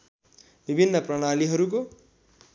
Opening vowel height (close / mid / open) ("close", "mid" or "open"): close